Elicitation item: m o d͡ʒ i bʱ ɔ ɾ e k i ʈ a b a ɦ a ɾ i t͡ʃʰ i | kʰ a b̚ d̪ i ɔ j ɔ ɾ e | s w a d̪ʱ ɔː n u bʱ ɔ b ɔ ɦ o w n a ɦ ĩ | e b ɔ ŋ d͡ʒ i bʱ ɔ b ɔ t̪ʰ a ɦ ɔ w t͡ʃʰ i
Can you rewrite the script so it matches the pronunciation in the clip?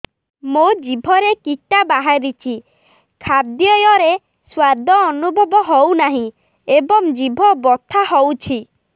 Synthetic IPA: m o d͡ʒ i bʱ ɔ ɾ e k i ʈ a b a ɦ a ɾ i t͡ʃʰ i | kʰ a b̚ d̪ j ɔ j ɔ ɾ e | s w a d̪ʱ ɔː n u bʱ ɔ b ɔ ɦ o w n a ɦ ĩ | e b ɔ ŋ d͡ʒ i bʱ ɔ b ɔ t̪ʰ a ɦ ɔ w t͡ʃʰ i